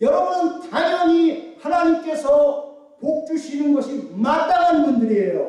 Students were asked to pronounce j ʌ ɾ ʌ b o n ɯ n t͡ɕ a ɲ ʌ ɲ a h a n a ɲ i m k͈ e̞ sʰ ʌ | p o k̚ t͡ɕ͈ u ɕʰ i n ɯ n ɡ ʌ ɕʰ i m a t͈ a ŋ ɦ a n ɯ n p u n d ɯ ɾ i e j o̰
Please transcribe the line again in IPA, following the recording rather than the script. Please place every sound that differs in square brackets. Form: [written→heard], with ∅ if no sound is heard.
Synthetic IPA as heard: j ʌ ɾ ʌ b [o→u] n ɯ n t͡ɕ a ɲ ʌ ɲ [a→i] h a n a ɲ i m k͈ e̞ sʰ ʌ | p o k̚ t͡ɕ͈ u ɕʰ i n ɯ n ɡ ʌ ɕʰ i m a t͈ a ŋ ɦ a n ɯ n [p→b] u n d ɯ ɾ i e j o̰